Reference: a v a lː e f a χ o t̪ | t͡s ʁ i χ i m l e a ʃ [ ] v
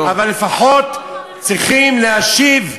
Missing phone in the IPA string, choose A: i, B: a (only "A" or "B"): A